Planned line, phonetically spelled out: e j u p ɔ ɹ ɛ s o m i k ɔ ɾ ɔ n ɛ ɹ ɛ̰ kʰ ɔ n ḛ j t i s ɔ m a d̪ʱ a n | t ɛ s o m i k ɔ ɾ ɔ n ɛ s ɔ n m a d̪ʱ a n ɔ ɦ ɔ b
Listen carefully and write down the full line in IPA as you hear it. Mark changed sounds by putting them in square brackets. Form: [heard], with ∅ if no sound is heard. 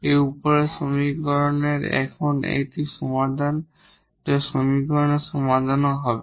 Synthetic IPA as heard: e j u p ɔ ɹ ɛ s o m i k ɔ [ɹ] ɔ n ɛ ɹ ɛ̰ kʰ ɔ n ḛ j t i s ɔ m a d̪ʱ a n | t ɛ s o m i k ɔ [ɹ] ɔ n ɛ s ɔ [∅] m a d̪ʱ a n ɔ ɦ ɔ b